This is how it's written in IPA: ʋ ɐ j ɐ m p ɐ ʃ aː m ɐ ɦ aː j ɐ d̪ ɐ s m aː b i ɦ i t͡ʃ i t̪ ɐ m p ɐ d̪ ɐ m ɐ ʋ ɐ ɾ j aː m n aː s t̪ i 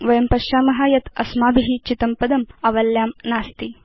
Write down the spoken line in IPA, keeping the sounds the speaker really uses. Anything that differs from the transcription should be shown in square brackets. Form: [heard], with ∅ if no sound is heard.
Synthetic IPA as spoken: ʋ ɐ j ɐ m p ɐ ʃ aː m ɐ ɦ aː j ɐ [t̪] ɐ s m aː b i ɦ i t͡ʃ i t̪ ɐ m p ɐ d̪ ɐ m ɐ ʋ ɐ [l] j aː m n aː s t̪ i